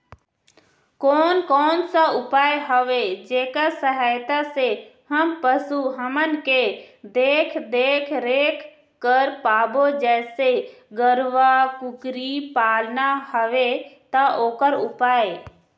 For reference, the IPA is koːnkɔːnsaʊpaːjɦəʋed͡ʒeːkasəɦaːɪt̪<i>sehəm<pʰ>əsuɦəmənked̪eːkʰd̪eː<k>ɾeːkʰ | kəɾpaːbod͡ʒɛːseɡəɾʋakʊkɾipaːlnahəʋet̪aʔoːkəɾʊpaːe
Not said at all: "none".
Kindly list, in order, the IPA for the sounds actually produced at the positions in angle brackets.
a, p, kʰ

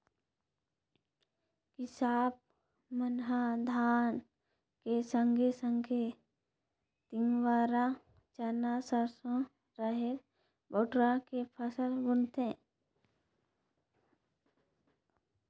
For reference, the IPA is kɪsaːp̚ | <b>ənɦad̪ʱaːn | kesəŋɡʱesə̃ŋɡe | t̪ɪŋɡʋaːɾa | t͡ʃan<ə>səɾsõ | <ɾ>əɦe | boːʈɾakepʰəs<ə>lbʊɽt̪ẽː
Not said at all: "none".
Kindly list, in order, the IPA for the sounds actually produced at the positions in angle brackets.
m, a, ɾ, ə

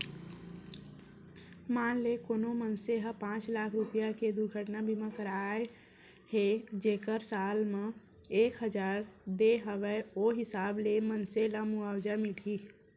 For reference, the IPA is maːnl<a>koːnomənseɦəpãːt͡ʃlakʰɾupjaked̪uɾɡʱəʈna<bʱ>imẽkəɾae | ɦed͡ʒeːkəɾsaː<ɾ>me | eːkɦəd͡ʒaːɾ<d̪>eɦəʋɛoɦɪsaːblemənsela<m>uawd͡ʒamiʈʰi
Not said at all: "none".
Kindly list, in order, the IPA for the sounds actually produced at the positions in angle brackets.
e, bʱ, l, d̪, m

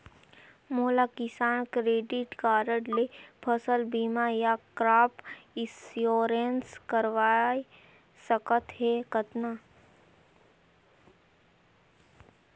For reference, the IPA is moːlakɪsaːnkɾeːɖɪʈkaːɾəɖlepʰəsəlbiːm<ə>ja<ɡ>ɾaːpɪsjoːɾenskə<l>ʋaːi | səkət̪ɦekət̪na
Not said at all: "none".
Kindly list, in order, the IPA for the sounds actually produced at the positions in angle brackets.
a, k, ɾ

